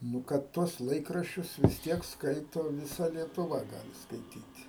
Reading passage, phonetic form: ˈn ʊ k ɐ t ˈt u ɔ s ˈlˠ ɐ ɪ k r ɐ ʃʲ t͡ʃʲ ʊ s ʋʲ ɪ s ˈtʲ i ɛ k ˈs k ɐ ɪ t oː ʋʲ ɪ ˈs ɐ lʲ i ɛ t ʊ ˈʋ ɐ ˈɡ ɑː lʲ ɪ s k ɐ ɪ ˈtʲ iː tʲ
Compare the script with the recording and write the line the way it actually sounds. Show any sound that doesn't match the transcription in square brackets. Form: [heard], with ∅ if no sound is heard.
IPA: ˈn ʊ k ɐ t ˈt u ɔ s ˈlˠ ɐ ɪ k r ɐ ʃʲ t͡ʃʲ ʊ s ʋʲ ɪ s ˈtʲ i ɛ k ˈs k ɐ ɪ t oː ʋʲ ɪ ˈs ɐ lʲ i ɛ t ʊ ˈʋ ɐ ˈɡ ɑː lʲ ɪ s k ɐ ɪ ˈtʲ iː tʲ